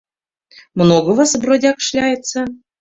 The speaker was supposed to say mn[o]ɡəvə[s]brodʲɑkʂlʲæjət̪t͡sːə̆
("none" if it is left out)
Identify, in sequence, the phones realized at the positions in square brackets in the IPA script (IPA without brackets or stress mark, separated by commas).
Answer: o, s